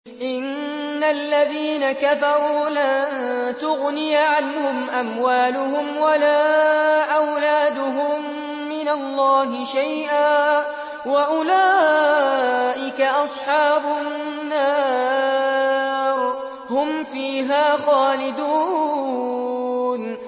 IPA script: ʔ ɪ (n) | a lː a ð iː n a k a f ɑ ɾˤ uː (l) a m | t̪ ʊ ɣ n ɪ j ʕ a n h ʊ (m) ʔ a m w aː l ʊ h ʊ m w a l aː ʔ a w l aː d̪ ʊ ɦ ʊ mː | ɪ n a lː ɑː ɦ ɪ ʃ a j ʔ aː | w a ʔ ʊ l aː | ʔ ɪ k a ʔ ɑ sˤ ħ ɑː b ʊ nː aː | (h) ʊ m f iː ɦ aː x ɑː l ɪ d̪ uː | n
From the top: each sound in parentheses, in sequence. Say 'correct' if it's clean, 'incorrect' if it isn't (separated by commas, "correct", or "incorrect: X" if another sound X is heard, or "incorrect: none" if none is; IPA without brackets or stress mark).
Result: incorrect: nː, correct, correct, correct